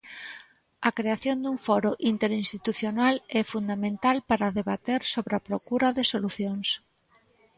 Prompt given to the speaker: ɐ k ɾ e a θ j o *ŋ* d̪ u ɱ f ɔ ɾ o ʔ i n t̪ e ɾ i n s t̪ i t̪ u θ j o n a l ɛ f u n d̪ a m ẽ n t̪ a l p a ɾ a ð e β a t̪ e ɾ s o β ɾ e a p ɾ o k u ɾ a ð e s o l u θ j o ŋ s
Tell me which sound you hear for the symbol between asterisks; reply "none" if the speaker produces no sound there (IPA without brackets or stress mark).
n